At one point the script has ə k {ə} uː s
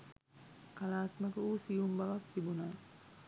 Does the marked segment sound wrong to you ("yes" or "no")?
no